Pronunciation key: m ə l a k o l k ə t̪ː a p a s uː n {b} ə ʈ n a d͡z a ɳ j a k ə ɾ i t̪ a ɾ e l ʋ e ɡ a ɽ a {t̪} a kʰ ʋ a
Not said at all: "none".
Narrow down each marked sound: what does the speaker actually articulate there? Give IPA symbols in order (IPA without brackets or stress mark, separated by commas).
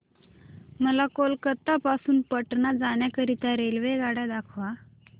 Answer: p, d̪